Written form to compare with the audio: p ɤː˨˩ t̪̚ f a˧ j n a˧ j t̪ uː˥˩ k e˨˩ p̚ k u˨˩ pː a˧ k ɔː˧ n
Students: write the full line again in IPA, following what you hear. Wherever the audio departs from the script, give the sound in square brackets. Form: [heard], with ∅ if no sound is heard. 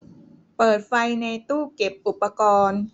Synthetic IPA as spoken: p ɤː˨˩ t̪̚ f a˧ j n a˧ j t̪ uː˥˩ k e˨˩ p̚ [ʔ] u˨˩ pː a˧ k ɔː˧ n